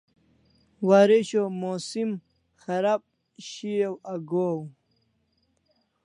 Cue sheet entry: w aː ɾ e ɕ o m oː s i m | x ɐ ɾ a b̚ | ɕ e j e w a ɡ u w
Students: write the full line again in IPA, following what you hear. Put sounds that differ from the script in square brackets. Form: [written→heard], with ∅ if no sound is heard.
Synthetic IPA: w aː ɾ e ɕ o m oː s i m | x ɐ ɾ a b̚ | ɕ [e→i] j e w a ɡ [u→o] w

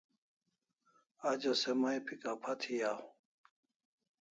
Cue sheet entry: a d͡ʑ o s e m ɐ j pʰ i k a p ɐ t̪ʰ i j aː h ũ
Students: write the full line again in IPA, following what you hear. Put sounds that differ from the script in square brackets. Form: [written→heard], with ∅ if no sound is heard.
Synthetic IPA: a d͡ʑ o s e m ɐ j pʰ i k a [p→pʰ] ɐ t̪ʰ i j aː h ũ

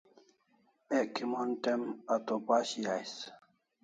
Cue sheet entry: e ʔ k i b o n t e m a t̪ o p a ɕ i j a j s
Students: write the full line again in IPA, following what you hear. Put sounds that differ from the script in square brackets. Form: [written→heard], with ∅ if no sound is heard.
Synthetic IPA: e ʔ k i [b→m] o n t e m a t̪ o p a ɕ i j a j s

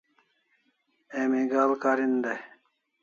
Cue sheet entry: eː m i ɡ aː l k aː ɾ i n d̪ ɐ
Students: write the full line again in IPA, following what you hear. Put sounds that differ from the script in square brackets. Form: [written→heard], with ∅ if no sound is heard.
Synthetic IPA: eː m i ɡ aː l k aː ɾ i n d̪ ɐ

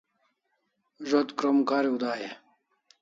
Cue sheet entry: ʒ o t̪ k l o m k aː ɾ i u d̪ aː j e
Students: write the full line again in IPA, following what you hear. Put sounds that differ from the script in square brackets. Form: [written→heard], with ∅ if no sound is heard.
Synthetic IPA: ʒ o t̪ k [l→ɾ] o m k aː ɾ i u d̪ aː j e

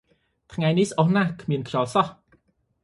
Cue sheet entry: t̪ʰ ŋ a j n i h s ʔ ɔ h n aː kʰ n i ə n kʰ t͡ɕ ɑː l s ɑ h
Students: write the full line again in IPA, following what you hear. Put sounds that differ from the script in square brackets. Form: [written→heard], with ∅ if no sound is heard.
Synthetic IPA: t̪ʰ ŋ a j n i h s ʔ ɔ h n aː kʰ [n→m] i ə n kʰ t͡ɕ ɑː l s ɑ h

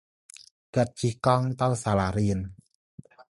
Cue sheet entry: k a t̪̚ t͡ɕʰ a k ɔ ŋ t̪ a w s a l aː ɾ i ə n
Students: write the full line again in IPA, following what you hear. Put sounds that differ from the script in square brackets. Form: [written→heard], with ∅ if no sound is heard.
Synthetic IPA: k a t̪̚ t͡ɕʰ [a→i] k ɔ ŋ t̪ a w s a l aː ɾ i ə n

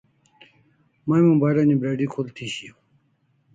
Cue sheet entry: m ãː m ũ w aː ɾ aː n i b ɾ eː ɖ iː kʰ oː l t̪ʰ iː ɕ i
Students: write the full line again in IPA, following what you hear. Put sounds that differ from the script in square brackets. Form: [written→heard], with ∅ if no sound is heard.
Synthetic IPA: m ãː m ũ [w→b] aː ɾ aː n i b ɾ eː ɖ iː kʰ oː l t̪ʰ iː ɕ i

